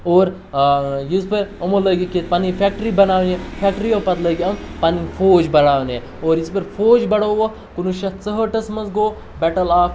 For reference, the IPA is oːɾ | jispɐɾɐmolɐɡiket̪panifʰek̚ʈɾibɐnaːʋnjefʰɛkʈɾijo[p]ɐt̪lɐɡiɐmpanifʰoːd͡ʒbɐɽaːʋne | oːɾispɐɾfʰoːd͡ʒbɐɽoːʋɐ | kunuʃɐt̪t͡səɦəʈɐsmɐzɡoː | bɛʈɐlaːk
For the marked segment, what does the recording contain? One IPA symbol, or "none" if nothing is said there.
p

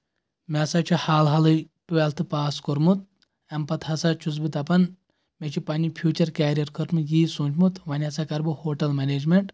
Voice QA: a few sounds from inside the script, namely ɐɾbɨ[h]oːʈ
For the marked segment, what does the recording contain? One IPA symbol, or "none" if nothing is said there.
h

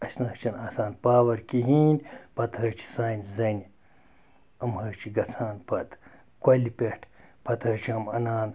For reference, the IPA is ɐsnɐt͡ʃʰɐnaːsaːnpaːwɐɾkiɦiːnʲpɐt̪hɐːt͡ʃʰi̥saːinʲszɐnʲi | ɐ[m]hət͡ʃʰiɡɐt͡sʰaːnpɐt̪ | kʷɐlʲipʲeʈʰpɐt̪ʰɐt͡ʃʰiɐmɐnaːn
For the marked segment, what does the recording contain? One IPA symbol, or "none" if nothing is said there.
m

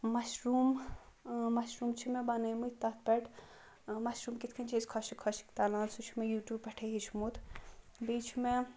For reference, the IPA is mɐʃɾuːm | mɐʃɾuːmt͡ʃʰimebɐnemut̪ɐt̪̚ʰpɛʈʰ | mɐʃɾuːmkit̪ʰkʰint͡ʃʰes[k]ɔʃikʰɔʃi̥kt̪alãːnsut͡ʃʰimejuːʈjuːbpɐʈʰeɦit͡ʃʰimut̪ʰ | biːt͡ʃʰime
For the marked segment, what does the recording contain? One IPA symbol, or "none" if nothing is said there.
kʰ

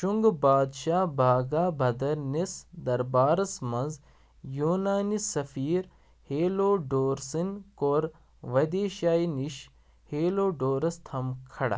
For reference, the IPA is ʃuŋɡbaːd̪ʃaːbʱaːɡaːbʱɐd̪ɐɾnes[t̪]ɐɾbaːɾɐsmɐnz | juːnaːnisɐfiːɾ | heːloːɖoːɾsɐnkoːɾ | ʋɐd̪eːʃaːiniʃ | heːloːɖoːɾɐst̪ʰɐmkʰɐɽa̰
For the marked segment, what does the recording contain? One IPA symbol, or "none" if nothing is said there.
d̪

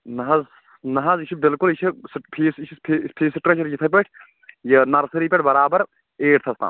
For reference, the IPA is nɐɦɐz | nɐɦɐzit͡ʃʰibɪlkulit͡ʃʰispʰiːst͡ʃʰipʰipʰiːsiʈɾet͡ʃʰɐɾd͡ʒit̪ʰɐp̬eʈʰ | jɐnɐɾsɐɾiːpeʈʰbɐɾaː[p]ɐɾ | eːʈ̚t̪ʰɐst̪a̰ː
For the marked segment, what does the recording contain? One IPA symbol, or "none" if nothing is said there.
b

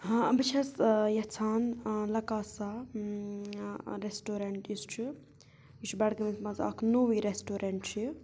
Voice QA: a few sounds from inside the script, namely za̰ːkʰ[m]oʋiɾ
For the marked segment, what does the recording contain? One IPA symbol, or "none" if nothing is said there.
n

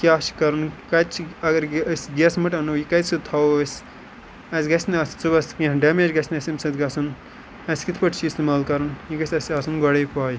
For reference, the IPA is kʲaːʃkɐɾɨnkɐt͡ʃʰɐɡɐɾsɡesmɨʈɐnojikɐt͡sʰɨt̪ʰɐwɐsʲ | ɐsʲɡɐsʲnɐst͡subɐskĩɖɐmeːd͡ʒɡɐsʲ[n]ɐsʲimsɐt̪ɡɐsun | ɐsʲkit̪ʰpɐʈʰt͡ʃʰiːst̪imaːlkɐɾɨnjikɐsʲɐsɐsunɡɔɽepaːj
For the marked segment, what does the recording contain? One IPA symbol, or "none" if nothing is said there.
n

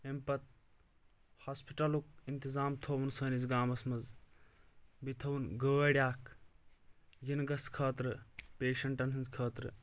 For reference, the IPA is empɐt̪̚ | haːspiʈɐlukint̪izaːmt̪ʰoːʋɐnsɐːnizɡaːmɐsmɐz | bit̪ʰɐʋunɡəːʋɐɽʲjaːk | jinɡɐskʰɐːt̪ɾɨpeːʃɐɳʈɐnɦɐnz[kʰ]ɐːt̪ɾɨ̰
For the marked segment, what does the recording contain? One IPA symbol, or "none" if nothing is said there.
kʰ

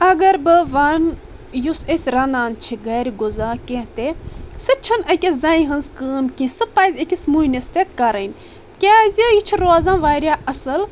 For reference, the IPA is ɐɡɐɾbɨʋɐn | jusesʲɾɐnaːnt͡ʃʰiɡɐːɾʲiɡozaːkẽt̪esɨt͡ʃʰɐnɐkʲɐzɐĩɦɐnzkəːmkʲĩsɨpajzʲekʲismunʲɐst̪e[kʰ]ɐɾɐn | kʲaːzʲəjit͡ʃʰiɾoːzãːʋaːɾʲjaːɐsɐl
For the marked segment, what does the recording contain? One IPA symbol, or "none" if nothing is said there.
k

